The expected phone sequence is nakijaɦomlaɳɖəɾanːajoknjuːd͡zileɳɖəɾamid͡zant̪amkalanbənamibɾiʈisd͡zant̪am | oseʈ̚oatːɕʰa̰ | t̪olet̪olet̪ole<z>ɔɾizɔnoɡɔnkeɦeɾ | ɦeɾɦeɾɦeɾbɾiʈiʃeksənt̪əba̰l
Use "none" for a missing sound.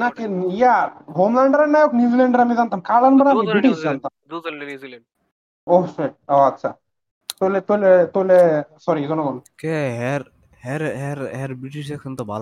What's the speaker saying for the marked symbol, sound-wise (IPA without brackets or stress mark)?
s